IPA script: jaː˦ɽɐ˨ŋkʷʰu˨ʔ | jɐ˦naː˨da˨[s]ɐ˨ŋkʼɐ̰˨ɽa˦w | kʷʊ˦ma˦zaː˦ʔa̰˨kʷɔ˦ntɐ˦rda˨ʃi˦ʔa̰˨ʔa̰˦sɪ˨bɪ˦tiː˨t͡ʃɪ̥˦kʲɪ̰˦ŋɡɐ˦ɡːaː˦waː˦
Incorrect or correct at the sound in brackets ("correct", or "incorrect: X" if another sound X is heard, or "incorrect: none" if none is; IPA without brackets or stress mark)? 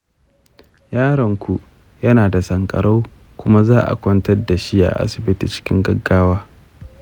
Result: correct